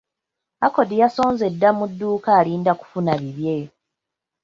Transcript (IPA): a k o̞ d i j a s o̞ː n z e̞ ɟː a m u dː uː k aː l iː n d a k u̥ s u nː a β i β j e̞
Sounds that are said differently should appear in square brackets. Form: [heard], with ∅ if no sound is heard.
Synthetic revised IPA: a k o̞ d i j a s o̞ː n z e̞ [dː] a m u dː uː k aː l iː n d a k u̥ [f] u [n] a β i β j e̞